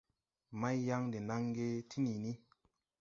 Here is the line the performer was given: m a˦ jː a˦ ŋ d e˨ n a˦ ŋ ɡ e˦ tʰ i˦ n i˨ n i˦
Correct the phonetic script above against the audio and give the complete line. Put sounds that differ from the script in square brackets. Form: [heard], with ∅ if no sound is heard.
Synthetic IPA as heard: m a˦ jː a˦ ŋ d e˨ n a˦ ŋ ɡ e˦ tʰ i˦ n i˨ n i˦